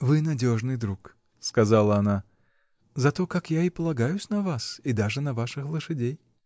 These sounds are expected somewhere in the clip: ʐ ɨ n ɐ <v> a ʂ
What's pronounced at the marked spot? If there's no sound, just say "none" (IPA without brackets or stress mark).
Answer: v